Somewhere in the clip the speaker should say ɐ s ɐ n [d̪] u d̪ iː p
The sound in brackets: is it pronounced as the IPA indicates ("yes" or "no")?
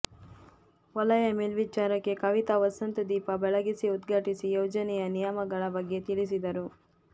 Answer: no